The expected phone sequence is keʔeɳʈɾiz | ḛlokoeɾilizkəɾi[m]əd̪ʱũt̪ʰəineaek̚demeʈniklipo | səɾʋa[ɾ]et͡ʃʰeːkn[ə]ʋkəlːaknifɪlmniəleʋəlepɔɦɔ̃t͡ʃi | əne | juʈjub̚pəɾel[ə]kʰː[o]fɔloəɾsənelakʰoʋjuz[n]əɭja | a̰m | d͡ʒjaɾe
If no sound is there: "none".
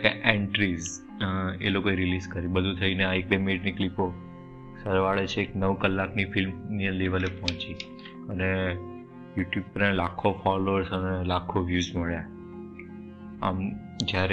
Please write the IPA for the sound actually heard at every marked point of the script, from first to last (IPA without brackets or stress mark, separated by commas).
b, ɭ, ə, a, o, m